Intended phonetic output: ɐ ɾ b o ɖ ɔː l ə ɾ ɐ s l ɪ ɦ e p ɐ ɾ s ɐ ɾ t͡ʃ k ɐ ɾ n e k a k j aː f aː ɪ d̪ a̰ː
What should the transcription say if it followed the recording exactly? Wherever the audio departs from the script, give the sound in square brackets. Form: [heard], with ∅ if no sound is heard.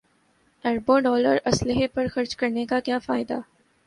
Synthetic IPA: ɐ ɾ b o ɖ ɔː l ə ɾ ɐ s l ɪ ɦ e p ɐ ɾ [x] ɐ ɾ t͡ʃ k ɐ ɾ n e k a k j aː f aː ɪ d̪ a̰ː

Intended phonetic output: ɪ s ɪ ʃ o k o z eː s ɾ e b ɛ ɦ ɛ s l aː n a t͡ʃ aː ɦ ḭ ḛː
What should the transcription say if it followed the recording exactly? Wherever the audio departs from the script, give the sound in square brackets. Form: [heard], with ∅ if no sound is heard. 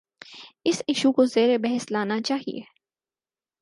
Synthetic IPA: ɪ s ɪ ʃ [u] k o z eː [∅] ɾ e b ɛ ɦ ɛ s l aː n a t͡ʃ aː ɦ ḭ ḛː

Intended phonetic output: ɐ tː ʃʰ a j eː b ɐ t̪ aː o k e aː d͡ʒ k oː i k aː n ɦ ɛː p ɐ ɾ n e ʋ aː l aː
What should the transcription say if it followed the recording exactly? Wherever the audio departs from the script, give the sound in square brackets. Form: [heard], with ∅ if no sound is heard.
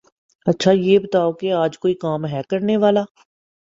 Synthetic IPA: ɐ tː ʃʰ a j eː b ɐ t̪ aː o k e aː d͡ʒ k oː i k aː [m] ɦ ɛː [k] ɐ ɾ n e ʋ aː l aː

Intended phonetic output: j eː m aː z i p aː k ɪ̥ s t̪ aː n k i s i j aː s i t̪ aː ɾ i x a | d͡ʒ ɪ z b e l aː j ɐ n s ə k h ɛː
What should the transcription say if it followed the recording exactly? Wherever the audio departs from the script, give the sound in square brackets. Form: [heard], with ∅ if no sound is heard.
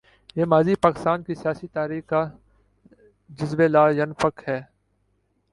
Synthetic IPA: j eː m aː z i p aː k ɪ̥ s t̪ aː n k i s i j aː s i t̪ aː ɾ [iː] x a | d͡ʒ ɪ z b e l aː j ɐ n [f] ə k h ɛː

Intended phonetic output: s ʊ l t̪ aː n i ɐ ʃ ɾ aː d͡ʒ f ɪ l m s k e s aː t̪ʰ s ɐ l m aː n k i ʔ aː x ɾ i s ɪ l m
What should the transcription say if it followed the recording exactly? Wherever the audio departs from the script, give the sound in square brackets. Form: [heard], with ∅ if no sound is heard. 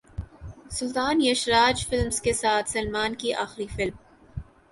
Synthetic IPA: s ʊ l t̪ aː n [j] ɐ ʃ ɾ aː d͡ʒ f ɪ l m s k e s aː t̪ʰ s ɐ l m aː n k i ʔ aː x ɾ i [f] ɪ l m

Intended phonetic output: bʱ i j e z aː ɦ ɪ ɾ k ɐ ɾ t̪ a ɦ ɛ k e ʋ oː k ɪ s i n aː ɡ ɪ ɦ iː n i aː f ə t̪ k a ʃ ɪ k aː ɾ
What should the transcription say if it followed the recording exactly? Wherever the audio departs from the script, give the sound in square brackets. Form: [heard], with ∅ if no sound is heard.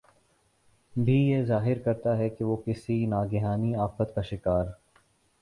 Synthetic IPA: bʱ i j e z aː ɦ ɪ ɾ k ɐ ɾ t̪ a ɦ ɛ k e ʋ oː k ɪ s i n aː ɡ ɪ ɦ [aː] n i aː f ə t̪ k a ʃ ɪ k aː ɾ

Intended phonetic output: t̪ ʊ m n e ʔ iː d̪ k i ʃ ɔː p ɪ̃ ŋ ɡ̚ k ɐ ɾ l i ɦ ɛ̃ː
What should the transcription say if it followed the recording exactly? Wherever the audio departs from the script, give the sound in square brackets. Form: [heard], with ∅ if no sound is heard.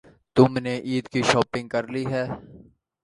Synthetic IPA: t̪ ʊ m n e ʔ iː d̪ k i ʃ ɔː p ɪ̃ ŋ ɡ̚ k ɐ ɾ l i ɦ [ɛː]

